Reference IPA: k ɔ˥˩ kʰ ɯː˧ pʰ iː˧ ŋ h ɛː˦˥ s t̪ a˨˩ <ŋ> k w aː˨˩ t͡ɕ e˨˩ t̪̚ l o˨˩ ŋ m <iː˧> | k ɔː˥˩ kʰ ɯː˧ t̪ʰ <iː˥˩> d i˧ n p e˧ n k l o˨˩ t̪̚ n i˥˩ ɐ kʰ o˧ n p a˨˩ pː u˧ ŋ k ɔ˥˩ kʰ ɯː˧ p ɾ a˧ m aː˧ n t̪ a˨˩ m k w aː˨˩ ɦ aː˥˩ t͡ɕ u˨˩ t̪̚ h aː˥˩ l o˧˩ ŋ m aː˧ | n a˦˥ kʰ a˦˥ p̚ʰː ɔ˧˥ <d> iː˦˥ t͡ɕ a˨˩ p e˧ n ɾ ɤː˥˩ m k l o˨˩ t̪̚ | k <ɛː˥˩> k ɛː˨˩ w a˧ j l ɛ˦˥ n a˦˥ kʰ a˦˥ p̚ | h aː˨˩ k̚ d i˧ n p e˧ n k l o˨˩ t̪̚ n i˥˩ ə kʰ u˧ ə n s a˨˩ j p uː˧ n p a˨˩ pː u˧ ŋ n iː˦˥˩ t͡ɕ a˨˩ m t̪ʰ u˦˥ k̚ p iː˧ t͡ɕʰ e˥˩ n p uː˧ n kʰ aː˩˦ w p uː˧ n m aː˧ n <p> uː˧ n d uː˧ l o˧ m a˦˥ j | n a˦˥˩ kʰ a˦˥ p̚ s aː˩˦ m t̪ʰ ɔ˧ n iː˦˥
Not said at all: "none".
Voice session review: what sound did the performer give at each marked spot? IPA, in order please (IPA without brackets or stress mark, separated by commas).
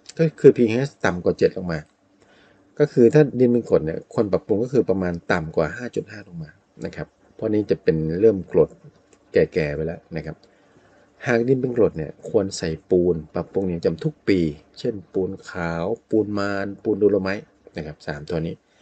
m, aː˧, aː˥˩, n, ɛː˨˩, p